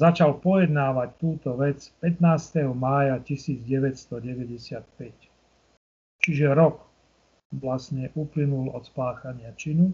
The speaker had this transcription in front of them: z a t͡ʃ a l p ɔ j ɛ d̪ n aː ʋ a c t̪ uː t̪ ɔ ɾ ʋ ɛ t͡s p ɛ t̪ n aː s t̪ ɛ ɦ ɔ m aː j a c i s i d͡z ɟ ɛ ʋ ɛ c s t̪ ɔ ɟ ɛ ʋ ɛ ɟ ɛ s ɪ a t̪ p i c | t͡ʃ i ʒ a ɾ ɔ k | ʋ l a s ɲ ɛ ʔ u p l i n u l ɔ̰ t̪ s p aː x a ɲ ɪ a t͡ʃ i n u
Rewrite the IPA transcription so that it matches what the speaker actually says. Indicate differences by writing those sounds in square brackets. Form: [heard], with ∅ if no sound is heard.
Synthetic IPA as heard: z a t͡ʃ a l p ɔ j ɛ d̪ n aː ʋ a c t̪ uː t̪ ɔ [∅] ʋ ɛ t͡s p ɛ t̪ n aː s t̪ ɛ ɦ ɔ m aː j a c i s [iː] d͡z ɟ ɛ ʋ ɛ c s t̪ ɔ ɟ ɛ ʋ ɛ ɟ ɛ s ɪ a t̪ p [ɛ] c | t͡ʃ i ʒ [ɛ] ɾ ɔ k | ʋ l a s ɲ ɛ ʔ u p l i n u l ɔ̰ t̪ s p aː x a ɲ ɪ a t͡ʃ i n u